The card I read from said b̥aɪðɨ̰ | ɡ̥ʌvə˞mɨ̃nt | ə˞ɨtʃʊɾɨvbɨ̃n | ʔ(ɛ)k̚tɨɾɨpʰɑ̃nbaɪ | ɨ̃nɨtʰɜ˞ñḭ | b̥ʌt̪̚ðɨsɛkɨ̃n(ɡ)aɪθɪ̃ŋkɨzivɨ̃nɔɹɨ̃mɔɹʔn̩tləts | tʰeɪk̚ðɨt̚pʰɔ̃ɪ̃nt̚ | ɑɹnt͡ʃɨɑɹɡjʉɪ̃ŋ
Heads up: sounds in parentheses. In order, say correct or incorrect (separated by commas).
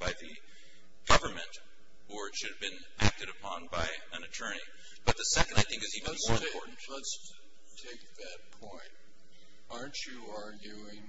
incorrect, incorrect